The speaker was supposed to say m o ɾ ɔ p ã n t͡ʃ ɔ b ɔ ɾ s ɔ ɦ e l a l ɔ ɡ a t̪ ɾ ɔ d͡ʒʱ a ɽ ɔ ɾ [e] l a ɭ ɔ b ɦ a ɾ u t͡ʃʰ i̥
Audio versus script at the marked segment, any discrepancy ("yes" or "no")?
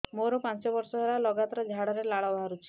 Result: no